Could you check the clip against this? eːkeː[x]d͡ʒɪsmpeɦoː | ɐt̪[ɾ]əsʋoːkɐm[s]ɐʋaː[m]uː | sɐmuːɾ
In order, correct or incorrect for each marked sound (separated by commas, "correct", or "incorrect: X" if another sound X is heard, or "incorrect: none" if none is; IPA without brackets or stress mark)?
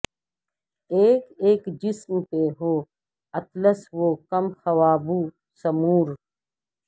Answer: incorrect: k, incorrect: l, incorrect: x, incorrect: b